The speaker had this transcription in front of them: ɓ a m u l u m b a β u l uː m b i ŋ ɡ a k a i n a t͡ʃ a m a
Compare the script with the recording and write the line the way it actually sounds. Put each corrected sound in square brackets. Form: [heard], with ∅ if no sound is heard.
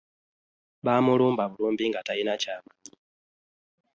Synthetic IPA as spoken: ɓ a m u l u m b a β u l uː m b i ŋ ɡ a [t] a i n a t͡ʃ a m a